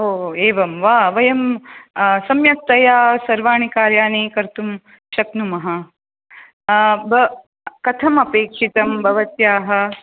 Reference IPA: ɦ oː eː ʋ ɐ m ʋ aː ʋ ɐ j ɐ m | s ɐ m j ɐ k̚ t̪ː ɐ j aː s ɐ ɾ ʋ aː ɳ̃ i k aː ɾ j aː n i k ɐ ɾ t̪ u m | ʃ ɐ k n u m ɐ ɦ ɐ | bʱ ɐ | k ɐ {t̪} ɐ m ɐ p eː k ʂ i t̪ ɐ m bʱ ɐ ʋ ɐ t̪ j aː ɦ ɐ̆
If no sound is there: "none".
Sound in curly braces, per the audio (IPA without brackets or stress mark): t̪ʰ